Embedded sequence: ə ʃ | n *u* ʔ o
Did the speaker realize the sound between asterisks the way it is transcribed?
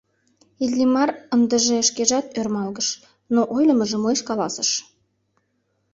no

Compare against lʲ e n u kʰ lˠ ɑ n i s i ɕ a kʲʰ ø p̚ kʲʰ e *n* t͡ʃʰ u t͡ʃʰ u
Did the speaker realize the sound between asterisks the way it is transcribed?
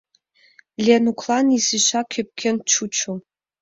yes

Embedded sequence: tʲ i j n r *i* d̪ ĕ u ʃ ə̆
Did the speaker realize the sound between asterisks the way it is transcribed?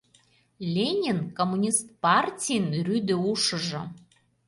no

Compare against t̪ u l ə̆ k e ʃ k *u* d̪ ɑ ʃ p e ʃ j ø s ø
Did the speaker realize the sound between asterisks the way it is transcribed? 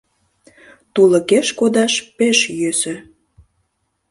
no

